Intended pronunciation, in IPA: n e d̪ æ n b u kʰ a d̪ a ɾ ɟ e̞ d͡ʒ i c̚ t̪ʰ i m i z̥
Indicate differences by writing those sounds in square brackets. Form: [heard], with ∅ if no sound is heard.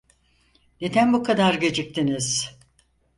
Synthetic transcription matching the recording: n e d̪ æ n b u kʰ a d̪ a ɾ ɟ e̞ d͡ʒ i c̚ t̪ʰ i [n] i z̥